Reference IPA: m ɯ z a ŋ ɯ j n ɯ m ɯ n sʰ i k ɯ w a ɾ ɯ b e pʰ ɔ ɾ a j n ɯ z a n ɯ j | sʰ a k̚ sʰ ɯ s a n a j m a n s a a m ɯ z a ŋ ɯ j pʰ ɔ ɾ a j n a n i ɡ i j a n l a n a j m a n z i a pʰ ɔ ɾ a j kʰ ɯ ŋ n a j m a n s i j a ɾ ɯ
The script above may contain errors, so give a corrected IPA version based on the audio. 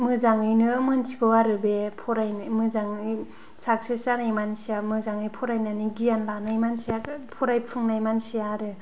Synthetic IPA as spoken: m ɯ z a ŋ ɯ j n ɯ m ɯ n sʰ i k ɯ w a ɾ ɯ b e pʰ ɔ ɾ a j m ɯ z a ŋ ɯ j | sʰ a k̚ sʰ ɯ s a n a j m a n s i a m ɯ z a ŋ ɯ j pʰ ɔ ɾ a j n a n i ɡ i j a n l a n a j m a n s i a pʰ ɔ ɾ a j pʰ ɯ ŋ n a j m a n s i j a ɾ ɯ